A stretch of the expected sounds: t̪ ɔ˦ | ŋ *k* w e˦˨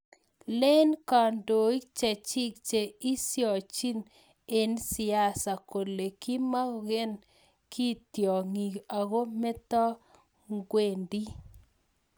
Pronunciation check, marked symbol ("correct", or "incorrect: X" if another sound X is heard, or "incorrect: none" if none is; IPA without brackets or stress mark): incorrect: ɡ